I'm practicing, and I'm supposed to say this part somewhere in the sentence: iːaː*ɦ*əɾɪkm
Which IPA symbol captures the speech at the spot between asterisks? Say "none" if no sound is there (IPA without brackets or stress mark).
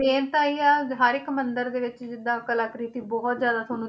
ɦ